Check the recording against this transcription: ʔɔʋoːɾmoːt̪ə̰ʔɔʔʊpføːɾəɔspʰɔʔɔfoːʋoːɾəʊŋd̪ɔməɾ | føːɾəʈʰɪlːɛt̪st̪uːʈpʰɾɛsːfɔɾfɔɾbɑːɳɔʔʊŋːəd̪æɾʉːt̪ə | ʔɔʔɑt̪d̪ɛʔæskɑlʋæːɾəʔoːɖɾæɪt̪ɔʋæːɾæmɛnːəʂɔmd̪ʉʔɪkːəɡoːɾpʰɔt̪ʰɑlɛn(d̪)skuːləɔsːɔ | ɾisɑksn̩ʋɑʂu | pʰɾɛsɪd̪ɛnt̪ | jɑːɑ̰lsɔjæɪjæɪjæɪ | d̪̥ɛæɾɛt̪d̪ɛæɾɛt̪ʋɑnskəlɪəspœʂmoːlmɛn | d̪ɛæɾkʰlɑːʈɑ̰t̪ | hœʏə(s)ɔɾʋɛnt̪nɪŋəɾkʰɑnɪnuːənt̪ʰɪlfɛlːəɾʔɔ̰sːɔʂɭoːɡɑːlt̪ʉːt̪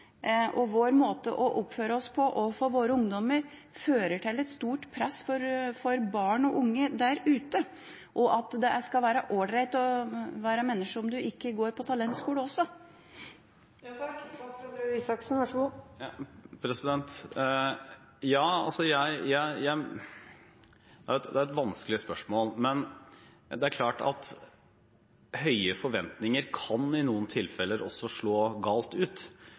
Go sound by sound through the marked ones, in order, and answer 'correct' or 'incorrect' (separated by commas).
incorrect, incorrect